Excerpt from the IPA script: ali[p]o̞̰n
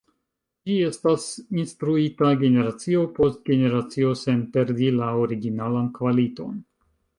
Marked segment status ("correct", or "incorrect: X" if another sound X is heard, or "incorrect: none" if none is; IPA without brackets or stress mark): incorrect: t